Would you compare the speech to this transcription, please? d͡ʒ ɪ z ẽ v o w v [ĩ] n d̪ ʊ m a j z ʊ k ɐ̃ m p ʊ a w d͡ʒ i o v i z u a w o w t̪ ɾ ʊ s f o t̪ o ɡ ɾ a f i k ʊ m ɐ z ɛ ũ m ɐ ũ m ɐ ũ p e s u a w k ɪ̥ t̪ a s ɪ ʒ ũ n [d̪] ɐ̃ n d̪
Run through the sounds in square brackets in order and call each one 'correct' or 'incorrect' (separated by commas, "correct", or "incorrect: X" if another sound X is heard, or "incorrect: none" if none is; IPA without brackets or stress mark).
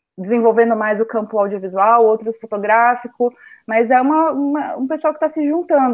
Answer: incorrect: ẽ, incorrect: t̪